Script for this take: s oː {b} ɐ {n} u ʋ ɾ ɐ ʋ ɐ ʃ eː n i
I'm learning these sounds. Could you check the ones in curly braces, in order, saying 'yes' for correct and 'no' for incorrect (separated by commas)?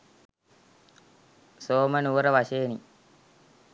no, yes